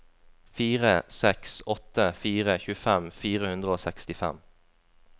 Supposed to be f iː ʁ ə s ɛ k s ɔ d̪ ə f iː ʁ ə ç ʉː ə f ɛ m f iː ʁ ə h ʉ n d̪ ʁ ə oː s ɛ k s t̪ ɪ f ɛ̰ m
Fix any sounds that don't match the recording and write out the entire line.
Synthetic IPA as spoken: f iː ʁ ə s ɛ k s ɔ t̪ ə f iː ʁ ə ç ʉː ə f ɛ m f iː ʁ ə h ʉ n d̪ ʁ ə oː s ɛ k s t̪ ɪ f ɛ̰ m

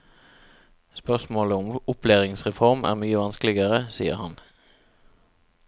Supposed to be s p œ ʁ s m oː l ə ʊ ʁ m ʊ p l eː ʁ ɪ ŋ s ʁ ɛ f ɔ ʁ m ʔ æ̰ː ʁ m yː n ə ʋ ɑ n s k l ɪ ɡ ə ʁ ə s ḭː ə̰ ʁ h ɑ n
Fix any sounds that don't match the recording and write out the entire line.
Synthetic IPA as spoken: s p œ ʁ s m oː l ə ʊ m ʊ p l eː ʁ ɪ ŋ s ʁ ɛ f ɔ ʁ m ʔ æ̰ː ʁ m yː ə ʋ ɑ n s k l ɪ ɡ ə ʁ ə s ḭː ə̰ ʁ h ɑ n

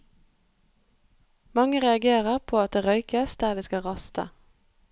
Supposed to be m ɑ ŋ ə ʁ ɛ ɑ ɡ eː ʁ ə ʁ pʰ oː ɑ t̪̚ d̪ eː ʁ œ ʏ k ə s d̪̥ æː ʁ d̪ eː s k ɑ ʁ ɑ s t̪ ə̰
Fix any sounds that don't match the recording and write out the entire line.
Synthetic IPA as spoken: m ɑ ŋ ə ʁ ɛ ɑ ɡ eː ʁ ə ʁ pʰ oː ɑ t̪̚ d̪ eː ʁ œ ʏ k ə s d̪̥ æː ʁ d̪ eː s k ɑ ʁ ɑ s t̪ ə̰

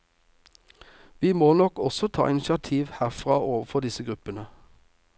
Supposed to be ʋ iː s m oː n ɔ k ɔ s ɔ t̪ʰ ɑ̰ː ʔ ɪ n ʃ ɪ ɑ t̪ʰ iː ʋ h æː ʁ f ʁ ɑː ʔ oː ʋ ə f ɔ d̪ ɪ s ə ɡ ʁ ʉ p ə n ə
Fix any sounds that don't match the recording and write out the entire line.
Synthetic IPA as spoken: ʋ iː m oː n ɔ k ɔ s ɔ t̪ʰ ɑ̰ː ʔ ɪ n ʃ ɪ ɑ t̪ʰ iː ʋ h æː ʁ f ʁ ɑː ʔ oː ʋ ə f ɔ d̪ ɪ s ə ɡ ʁ ʉ p ə n ə

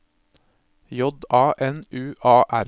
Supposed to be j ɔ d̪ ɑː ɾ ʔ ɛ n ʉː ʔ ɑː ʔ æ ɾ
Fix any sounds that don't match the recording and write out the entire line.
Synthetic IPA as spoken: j ɔ d̪ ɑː ʔ ɛ n ʉː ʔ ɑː ʔ æ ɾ

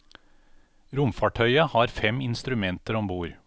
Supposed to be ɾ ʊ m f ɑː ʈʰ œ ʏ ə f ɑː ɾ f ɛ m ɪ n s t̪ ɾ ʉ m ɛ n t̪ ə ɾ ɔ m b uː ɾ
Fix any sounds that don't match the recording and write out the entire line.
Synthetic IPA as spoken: ɾ ʊ m f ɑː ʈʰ œ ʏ ə h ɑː ɾ f ɛ m ɪ n s t̪ ɾ ʉ m ɛ n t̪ ə ɾ ɔ m b uː ɾ

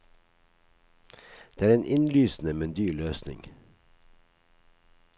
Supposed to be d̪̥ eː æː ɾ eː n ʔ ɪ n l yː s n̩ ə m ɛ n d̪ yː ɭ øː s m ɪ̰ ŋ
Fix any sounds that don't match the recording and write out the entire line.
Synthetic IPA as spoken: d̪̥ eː æː ɾ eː n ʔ ɪ n l yː s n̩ ə m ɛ n d̪ yː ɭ øː s n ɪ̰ ŋ

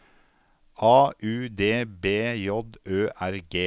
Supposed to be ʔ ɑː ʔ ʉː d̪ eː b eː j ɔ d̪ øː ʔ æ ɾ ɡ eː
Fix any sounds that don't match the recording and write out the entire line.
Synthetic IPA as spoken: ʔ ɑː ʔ ʉː d̪ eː b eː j ɔ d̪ øː ʔ æ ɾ ɡ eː

